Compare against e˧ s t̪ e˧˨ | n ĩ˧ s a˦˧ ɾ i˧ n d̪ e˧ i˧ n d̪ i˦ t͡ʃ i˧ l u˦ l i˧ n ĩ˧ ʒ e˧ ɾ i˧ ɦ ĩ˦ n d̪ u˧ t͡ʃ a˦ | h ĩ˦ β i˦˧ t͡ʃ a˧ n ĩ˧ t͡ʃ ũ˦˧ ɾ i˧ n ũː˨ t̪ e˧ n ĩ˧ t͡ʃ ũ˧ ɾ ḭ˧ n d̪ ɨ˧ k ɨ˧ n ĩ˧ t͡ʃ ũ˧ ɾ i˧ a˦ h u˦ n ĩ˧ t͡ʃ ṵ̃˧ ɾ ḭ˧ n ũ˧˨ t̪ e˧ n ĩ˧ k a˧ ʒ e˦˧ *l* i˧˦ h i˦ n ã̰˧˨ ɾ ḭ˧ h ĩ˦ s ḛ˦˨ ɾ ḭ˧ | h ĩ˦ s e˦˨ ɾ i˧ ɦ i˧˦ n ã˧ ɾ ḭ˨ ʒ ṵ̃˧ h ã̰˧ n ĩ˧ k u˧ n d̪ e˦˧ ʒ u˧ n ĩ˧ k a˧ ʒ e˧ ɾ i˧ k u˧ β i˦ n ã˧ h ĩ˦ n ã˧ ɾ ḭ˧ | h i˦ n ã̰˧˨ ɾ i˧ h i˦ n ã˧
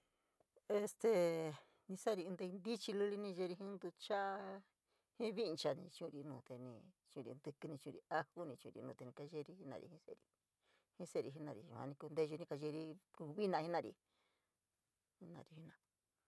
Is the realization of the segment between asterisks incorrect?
yes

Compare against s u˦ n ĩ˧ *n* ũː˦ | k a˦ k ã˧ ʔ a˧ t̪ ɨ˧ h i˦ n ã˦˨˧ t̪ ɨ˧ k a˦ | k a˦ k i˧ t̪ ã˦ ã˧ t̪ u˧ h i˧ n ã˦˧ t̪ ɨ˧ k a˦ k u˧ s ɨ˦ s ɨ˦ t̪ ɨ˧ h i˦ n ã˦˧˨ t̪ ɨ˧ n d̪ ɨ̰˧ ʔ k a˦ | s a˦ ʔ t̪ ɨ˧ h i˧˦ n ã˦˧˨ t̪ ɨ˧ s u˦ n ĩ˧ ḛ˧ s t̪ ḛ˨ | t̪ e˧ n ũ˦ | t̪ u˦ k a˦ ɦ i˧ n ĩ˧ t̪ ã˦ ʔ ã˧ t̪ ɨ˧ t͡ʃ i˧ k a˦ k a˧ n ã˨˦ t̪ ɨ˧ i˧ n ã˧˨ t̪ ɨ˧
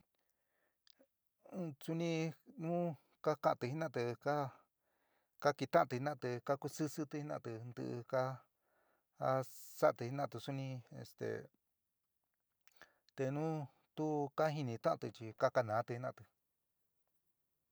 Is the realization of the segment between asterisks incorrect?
no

